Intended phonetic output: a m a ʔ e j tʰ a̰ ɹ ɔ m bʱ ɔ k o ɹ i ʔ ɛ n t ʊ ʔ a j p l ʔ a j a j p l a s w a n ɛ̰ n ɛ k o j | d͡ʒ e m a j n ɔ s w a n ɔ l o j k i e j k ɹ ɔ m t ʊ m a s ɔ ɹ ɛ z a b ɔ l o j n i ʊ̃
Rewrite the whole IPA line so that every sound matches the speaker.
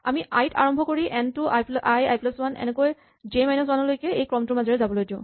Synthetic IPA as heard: a m i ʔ a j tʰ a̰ ɹ ɔ m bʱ ɔ k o ɹ i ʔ ɛ n t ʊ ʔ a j p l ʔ a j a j p l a s w a n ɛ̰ n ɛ k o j | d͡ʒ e m a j n ɔ s w a n ɔ l o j k ɛ e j k ɹ ɔ m t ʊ m a z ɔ ɹ ɛ z a b ɔ l o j d i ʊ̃